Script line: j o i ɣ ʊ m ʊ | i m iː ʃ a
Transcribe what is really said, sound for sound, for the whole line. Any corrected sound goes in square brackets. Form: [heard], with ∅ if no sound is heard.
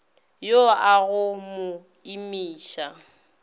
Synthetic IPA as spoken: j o [a] ɣ ʊ m ʊ | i m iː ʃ a